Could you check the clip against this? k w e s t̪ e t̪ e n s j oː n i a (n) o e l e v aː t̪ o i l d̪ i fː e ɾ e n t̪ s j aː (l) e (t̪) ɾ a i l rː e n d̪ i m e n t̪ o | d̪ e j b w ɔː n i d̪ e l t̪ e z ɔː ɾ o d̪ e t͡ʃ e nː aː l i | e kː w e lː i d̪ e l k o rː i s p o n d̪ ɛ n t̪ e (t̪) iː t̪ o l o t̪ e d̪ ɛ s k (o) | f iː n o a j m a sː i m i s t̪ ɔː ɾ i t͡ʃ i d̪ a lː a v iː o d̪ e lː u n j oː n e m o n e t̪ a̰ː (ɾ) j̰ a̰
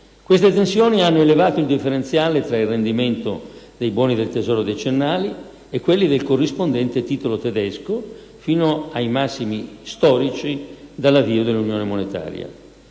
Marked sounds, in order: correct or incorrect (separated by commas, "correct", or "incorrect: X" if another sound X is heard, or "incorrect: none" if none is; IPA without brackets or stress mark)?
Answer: incorrect: nː, correct, correct, correct, correct, correct